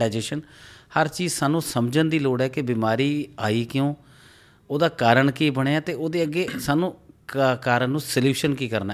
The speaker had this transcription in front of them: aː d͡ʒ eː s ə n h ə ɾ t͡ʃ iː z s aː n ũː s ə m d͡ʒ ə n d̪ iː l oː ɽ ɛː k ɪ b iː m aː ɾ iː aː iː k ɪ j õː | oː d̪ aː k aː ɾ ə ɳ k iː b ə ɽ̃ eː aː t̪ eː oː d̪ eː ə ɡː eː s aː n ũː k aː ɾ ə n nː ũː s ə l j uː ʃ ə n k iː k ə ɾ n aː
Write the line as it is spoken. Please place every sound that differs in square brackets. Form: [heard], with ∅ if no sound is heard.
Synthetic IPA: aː d͡ʒ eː [ʃ] ə n h ə ɾ t͡ʃ iː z s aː n ũː s ə m d͡ʒ ə n d̪ iː l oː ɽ ɛː k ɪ b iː m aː ɾ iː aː iː k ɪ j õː | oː d̪ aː k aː ɾ ə ɳ k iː b ə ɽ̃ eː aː t̪ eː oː d̪ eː ə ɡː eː s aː n ũː k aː ɾ ə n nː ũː s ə l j uː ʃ ə n k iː k ə ɾ n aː